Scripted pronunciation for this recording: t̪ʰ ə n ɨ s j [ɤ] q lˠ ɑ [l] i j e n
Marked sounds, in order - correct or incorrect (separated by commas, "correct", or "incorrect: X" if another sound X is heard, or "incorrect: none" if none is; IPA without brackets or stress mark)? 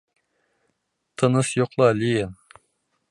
incorrect: o, correct